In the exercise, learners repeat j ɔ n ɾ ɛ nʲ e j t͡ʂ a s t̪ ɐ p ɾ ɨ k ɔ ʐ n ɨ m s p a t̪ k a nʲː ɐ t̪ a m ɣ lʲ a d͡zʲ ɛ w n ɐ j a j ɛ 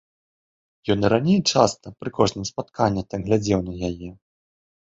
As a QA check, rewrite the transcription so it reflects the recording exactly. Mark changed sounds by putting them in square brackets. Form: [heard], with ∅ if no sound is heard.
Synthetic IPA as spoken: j ɔ n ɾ [a] nʲ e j t͡ʂ a s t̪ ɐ p ɾ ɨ k ɔ ʐ n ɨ m s p a t̪ k a nʲː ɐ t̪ a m ɣ lʲ a d͡zʲ ɛ w n ɐ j a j ɛ